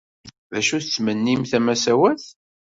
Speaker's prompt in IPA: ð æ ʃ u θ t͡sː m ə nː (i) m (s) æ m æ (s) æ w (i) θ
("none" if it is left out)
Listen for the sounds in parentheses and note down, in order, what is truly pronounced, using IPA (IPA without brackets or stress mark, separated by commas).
i, θ, s, æ